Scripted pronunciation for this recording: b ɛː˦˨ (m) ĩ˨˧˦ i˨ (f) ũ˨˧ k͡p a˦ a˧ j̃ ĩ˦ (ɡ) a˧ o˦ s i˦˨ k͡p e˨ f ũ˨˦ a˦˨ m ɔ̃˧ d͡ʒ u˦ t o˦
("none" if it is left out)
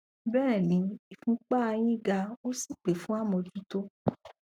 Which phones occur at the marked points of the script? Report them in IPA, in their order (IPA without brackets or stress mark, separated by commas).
n, f, ɡ